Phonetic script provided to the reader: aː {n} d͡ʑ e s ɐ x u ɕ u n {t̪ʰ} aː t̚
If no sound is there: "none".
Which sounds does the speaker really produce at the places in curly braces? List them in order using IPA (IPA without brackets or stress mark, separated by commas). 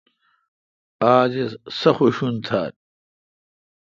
none, t̪ʰ